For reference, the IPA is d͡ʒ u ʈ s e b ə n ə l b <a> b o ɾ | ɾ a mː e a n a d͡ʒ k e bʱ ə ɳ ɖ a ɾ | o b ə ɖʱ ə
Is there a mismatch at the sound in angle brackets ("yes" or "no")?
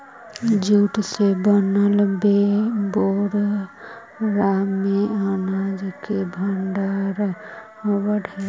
yes